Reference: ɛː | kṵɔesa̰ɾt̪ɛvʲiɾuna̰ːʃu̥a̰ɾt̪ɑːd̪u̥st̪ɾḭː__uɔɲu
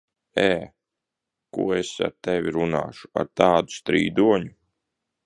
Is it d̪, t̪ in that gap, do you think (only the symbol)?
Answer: d̪